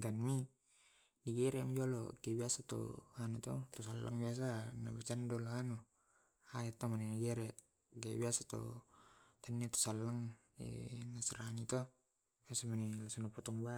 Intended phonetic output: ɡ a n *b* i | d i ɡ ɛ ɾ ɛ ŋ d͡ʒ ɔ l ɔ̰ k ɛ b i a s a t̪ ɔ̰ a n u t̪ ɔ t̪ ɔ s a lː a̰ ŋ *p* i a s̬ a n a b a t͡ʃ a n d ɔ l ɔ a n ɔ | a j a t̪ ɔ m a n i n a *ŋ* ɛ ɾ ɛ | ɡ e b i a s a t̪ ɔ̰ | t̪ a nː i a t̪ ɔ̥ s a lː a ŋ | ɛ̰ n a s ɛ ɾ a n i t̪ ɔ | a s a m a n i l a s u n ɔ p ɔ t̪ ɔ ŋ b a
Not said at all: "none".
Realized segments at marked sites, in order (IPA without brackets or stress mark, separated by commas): m, b, ɡ